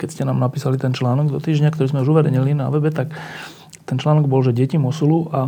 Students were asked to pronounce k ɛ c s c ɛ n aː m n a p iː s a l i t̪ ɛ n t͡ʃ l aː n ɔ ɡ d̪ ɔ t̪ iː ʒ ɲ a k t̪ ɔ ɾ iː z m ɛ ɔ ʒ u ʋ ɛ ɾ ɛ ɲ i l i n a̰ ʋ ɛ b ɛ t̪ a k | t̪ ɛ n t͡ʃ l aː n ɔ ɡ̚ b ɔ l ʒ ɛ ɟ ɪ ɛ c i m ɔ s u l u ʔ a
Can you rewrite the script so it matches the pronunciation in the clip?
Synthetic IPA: k ɛ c s c ɛ n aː m n a p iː s a l i t̪ ɛ n t͡ʃ l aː n ɔ ɡ d̪ ɔ t̪ iː ʒ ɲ a k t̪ ɔ ɾ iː z m ɛ u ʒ u ʋ ɛ ɾ ɛ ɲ i l i n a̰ ʋ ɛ b ɛ t̪ a k | t̪ ɛ n t͡ʃ l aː n ɔ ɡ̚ b ɔ l ʒ ɛ ɟ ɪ ɛ c i m ɔ s u l u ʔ a